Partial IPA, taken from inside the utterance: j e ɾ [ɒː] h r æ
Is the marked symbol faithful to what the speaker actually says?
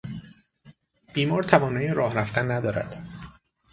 yes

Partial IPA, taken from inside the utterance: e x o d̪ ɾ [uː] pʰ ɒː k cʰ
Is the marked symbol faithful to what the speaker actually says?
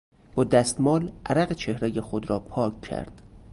no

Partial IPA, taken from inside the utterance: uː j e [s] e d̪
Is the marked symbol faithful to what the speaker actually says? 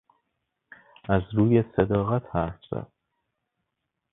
yes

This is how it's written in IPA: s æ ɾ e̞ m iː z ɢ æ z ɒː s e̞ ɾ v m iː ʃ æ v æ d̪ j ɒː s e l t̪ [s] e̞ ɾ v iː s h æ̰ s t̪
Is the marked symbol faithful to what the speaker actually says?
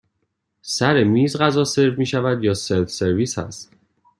yes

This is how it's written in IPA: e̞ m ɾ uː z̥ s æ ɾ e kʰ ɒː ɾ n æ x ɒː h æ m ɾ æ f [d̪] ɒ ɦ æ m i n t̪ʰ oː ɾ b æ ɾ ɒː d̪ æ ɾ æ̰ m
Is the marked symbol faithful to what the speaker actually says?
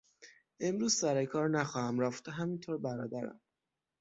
no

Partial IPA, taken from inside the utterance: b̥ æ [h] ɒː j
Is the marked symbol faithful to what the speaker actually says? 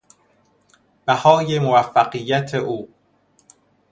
yes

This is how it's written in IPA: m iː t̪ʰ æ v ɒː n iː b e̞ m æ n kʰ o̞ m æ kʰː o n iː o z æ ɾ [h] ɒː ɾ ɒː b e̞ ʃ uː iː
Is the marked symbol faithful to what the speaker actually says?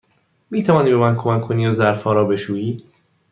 no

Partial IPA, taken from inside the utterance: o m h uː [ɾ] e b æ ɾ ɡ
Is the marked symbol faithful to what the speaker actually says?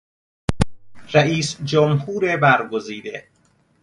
yes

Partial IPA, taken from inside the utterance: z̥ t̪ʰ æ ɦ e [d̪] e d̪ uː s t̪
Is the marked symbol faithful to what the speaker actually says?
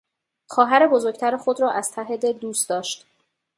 yes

